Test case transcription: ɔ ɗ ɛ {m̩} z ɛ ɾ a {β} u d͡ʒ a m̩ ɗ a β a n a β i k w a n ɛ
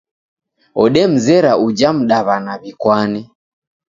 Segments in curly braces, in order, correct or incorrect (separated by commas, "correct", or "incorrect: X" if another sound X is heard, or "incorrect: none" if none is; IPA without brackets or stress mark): correct, incorrect: none